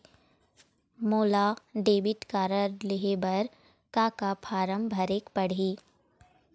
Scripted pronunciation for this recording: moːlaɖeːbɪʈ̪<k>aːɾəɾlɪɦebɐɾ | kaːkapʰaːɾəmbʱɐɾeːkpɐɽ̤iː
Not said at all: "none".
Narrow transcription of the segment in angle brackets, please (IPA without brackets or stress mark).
k